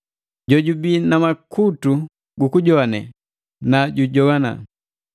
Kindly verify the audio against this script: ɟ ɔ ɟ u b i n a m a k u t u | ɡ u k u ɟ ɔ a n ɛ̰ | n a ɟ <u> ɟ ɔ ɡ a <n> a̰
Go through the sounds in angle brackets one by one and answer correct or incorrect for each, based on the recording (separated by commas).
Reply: correct, correct